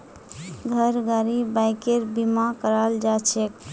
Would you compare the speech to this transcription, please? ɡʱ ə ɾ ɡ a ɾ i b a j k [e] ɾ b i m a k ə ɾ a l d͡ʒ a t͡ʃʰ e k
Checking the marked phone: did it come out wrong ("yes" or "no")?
no